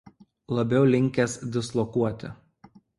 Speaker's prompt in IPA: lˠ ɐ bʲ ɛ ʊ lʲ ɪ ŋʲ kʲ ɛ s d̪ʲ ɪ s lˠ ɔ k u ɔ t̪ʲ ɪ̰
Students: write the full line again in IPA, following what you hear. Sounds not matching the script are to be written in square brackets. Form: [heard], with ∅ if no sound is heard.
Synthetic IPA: lˠ ɐ bʲ ɛ ʊ lʲ ɪ ŋʲ kʲ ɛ s d̪ʲ ɪ s lˠ ɔ k u ɔ t̪ʲ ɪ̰